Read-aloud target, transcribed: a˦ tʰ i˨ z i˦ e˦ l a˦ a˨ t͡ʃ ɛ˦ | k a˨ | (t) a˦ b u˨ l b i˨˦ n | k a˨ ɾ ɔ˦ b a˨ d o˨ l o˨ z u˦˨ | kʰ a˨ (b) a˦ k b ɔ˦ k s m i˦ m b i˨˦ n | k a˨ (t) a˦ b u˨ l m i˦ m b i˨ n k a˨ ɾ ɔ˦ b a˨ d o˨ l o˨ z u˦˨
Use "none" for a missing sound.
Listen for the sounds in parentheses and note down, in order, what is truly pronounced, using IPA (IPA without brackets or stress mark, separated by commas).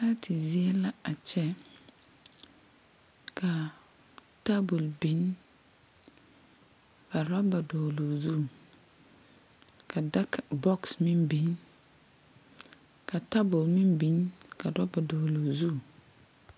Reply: t, d, t